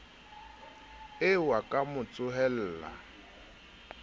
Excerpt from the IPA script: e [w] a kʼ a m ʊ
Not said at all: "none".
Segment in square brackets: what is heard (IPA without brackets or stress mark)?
w